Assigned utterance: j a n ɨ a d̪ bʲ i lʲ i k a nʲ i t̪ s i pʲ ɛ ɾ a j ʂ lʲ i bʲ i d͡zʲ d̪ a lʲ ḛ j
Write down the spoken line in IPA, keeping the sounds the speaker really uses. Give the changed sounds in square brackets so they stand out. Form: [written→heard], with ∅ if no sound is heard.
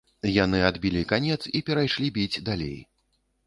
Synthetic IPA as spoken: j a n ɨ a d̪ bʲ i lʲ i k a nʲ [i→ɛ] t̪ s i pʲ ɛ ɾ a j ʂ lʲ i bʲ i d͡zʲ d̪ a lʲ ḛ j